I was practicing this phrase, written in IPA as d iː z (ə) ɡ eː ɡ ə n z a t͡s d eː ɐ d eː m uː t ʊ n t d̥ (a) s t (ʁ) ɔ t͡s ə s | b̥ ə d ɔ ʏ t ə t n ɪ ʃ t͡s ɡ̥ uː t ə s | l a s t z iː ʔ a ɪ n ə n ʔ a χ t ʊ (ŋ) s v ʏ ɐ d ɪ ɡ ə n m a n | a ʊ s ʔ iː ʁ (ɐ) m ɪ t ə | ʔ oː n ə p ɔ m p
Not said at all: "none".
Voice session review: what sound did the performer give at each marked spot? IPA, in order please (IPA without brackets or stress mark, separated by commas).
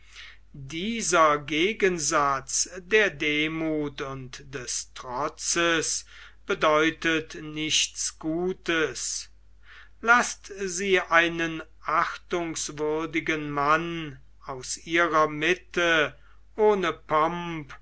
ɐ, ɛ, ʁ, ŋ, ɐ